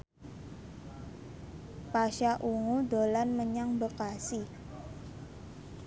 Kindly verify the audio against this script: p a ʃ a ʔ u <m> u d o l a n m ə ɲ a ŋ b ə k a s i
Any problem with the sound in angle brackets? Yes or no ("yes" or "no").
yes